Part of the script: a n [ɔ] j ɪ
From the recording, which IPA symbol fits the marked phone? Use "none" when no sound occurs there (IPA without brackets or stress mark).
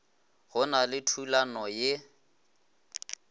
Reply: ɔ